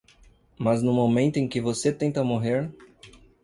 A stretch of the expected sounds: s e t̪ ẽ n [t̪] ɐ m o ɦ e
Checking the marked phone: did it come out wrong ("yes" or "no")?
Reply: no